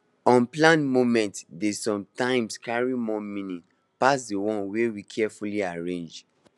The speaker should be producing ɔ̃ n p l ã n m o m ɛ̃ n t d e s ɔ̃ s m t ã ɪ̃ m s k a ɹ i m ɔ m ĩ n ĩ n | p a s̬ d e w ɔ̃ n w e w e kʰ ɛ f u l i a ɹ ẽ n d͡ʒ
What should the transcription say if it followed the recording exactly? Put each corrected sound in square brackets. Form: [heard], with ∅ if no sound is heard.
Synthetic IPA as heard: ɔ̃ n p l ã n m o m ɛ̃ n t d e s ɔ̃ [∅] m t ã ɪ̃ m s k a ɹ i m ɔ m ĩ n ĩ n | p a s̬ d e w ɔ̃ n w e w [i] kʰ ɛ f u l i a ɹ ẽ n d͡ʒ